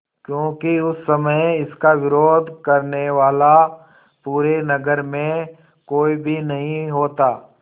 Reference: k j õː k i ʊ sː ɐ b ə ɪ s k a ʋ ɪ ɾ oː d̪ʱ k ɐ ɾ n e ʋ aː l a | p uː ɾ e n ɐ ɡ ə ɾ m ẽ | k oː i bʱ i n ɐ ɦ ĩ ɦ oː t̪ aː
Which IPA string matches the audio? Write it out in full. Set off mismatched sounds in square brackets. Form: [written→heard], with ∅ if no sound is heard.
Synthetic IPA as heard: k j õː k i ʊ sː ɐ [b→m] ə ɪ s k a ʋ ɪ ɾ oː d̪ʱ k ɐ ɾ n e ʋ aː l a | p uː ɾ e n ɐ ɡ ə ɾ m ẽ | k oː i bʱ i n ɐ ɦ ĩ ɦ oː t̪ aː